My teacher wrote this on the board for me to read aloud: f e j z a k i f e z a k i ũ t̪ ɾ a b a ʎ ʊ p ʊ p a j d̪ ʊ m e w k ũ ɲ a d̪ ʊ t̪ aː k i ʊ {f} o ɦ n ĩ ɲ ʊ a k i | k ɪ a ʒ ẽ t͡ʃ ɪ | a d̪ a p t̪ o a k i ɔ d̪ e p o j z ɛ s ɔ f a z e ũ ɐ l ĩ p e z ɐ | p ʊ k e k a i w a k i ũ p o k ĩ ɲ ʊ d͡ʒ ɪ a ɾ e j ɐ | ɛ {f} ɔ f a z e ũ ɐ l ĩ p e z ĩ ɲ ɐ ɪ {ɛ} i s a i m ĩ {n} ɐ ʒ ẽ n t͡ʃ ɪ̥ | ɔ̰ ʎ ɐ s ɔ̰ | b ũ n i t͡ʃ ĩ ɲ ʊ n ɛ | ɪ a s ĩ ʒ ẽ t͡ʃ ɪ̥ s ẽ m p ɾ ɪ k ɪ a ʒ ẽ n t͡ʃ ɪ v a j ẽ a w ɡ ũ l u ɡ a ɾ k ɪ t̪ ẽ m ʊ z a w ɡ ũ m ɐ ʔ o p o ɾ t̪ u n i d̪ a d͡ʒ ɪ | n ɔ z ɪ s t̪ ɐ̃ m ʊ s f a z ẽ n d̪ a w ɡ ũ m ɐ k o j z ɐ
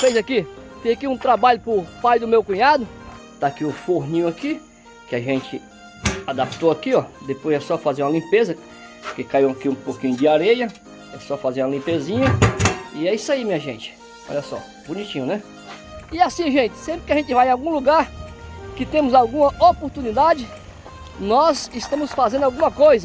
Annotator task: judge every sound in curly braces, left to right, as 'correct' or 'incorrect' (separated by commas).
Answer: correct, incorrect, correct, incorrect